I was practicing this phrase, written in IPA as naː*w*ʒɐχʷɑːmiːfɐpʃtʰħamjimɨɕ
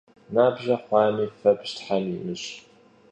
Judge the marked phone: incorrect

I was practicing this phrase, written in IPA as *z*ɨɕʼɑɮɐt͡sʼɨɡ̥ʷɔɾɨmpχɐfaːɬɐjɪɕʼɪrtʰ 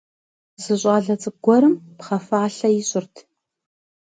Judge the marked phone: correct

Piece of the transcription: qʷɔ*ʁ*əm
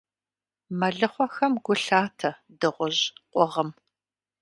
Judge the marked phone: correct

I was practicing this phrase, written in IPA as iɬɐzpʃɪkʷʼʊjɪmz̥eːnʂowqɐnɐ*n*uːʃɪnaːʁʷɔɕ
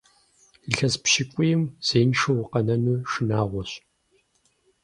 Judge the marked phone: correct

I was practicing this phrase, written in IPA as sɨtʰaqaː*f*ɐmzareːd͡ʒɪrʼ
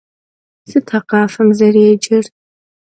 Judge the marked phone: correct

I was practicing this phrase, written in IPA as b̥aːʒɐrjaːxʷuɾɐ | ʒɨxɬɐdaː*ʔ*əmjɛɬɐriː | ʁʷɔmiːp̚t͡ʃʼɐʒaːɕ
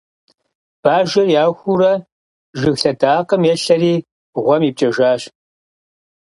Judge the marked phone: incorrect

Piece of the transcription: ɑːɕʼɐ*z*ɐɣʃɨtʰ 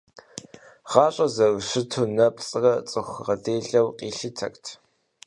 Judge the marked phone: correct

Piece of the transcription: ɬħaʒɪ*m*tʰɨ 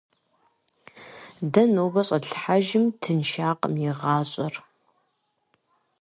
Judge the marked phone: correct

